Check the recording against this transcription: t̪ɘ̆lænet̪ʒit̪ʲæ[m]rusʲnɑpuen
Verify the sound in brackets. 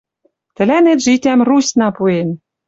correct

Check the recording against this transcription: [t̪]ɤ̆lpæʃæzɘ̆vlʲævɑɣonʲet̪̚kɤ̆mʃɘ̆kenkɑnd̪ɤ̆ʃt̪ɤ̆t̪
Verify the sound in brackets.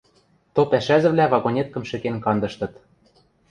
correct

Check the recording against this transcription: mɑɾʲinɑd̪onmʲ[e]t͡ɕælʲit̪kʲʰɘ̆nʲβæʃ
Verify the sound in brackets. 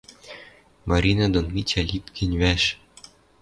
incorrect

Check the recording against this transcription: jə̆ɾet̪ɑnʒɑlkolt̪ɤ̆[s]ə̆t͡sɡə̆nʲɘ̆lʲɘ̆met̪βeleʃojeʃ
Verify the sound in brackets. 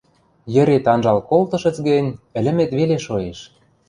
incorrect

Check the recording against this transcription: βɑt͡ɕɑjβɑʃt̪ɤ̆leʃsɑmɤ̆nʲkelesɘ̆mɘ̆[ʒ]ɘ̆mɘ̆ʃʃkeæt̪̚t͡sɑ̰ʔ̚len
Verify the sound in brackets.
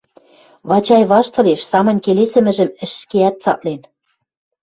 correct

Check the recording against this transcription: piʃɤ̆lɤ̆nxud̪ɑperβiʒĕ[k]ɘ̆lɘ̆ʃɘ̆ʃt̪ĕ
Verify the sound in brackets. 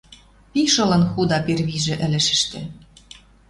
incorrect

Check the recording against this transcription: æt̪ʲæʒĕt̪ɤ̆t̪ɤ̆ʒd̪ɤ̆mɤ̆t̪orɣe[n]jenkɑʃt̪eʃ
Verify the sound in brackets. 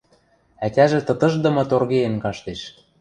incorrect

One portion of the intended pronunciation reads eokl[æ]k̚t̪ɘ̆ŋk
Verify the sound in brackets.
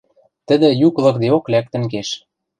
correct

